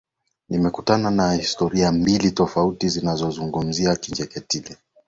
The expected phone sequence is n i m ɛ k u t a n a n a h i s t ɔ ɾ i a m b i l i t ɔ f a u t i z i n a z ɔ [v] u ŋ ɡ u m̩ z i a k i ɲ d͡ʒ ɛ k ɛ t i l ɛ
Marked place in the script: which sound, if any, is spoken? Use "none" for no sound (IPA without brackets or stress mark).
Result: z